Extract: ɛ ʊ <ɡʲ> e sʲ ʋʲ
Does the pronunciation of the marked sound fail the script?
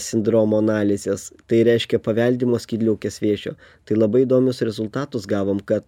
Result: yes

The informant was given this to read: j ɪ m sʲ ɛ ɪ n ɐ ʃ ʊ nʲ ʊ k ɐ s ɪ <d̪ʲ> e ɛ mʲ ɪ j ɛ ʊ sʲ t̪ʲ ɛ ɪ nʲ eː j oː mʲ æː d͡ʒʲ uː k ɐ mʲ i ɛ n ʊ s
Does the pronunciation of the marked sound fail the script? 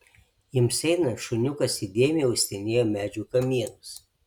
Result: no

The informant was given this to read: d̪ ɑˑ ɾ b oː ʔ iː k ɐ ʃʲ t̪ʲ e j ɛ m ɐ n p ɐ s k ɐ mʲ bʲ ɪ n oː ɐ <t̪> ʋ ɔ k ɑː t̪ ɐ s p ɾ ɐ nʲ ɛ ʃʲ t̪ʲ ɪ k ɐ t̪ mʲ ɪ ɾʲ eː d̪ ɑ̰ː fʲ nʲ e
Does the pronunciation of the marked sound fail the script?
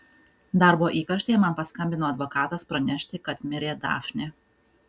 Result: yes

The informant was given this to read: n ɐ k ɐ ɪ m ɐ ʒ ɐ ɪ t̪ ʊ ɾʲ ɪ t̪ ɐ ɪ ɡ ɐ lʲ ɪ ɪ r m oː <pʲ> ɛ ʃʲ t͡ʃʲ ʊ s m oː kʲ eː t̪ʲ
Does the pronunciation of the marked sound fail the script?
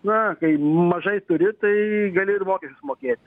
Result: yes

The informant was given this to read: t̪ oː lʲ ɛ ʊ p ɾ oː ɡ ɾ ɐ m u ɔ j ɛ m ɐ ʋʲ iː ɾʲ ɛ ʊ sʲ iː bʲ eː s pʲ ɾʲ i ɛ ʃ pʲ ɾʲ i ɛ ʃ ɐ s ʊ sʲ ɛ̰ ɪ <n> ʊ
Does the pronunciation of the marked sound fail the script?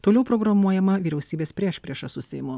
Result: yes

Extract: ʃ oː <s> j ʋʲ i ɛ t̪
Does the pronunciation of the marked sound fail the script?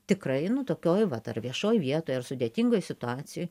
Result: yes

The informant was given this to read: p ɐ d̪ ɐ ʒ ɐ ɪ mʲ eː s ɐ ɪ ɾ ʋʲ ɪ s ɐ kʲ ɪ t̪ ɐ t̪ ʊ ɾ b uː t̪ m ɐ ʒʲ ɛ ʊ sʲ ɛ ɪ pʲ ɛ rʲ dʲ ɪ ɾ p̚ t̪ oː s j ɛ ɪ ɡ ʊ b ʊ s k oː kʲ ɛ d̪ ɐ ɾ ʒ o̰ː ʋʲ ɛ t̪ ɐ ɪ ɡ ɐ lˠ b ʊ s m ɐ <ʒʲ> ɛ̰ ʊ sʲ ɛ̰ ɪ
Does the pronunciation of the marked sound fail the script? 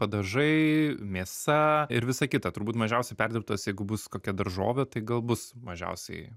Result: no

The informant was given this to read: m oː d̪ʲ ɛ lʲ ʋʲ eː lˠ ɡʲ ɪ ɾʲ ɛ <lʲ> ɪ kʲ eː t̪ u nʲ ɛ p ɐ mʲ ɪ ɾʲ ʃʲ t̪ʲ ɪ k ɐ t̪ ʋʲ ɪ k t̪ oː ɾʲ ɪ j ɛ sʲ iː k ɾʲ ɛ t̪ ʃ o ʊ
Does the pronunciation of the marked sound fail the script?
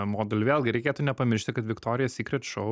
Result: yes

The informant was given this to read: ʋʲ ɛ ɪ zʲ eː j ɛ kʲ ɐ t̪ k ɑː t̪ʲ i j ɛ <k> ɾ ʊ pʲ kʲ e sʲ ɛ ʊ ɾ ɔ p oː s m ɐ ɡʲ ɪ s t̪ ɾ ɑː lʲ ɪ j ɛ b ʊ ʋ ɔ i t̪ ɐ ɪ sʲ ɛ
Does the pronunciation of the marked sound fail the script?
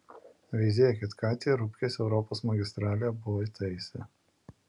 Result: yes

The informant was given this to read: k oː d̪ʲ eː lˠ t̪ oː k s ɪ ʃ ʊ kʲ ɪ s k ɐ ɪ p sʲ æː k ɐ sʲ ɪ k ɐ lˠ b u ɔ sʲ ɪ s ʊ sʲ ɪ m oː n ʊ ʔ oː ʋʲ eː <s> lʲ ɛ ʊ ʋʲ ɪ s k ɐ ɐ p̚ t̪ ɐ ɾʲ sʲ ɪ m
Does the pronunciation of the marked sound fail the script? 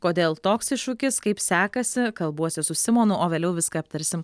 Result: yes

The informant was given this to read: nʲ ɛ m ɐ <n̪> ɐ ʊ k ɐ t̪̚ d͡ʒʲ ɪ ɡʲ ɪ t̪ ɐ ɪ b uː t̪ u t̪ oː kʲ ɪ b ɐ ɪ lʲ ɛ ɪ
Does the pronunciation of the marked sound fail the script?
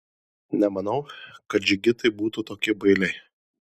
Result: no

